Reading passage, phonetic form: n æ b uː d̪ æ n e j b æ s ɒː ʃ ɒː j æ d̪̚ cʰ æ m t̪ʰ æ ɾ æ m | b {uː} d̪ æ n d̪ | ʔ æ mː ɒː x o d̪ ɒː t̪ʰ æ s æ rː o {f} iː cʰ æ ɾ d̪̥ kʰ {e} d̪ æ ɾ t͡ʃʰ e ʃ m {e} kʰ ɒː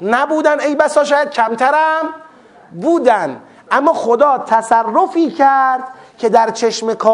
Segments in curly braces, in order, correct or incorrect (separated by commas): correct, correct, correct, correct